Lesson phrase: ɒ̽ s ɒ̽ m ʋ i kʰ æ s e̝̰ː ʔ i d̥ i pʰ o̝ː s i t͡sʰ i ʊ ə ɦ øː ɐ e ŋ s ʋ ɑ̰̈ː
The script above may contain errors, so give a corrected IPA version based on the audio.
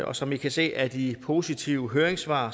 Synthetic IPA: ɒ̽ s ɒ̽ m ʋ i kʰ æ s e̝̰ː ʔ æ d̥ i pʰ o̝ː s i t͡sʰ i ʊ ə ɦ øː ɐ e ŋ s ʋ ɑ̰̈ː